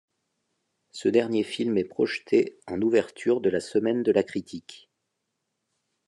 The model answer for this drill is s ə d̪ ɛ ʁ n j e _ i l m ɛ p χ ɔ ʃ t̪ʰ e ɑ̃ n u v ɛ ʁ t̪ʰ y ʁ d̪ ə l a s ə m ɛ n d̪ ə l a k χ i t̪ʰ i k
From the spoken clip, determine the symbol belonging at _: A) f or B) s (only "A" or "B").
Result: A